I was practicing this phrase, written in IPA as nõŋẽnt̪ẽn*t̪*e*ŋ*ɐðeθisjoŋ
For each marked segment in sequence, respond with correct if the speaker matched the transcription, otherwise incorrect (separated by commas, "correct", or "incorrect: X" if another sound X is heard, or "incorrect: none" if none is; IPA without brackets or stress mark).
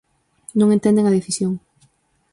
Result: incorrect: d̪, correct